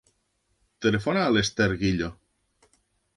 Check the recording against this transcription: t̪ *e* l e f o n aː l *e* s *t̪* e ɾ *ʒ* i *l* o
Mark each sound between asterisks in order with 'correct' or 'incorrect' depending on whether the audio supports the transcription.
correct, correct, correct, incorrect: ɣ, incorrect: ʎ

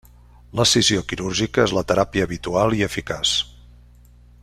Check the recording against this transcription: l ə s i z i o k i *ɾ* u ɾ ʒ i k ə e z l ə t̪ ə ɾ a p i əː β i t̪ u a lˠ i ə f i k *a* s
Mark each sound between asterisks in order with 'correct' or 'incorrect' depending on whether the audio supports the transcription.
correct, correct

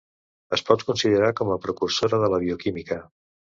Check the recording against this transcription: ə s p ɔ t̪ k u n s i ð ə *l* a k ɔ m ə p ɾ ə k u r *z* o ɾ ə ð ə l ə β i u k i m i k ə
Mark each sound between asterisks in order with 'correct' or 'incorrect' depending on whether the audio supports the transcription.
incorrect: ɾ, incorrect: s

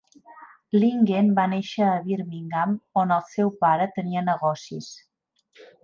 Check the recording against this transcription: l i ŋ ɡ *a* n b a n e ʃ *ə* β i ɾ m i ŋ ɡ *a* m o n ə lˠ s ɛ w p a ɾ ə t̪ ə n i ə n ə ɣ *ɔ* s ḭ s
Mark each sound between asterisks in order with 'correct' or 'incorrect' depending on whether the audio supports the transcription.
incorrect: e, incorrect: əː, correct, correct

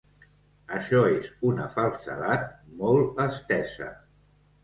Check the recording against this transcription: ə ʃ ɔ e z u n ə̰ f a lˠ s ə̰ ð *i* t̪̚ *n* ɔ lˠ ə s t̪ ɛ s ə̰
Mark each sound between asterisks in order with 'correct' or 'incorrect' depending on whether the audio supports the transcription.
incorrect: a, incorrect: m

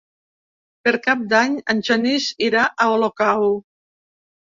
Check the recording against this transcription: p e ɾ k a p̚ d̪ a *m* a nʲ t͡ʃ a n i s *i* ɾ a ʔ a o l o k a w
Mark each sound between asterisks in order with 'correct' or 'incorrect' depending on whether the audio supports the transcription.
incorrect: ɲ, correct

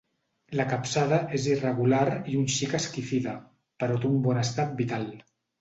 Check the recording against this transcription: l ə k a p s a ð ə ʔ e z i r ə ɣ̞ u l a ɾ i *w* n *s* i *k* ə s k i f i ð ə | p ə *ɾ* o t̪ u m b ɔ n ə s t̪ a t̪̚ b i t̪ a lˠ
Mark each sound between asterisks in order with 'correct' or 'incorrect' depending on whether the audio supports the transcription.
incorrect: u, incorrect: ʃ, correct, correct

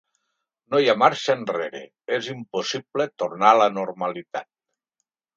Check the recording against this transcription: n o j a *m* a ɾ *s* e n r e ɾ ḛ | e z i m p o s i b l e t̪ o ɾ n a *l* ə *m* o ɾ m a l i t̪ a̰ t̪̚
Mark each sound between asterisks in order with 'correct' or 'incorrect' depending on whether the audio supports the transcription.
correct, incorrect: ʃ, correct, incorrect: n

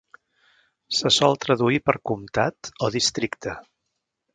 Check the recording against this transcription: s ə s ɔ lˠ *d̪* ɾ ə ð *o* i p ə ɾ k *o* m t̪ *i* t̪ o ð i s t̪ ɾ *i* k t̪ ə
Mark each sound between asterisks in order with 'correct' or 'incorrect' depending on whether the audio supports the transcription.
incorrect: t̪, incorrect: u, incorrect: u, incorrect: a, correct

